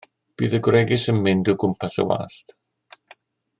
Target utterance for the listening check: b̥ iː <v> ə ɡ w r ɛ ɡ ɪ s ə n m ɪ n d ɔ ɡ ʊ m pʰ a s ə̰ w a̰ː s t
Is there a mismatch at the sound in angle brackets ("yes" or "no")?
yes